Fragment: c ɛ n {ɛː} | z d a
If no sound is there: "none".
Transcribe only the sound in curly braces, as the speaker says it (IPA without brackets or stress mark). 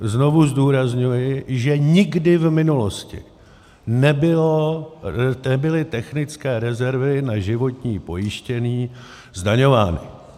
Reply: iː